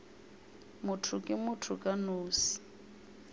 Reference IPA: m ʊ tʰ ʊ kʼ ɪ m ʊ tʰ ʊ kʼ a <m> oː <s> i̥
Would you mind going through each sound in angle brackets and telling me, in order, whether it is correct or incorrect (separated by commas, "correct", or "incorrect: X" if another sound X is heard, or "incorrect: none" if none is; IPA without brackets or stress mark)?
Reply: incorrect: n, correct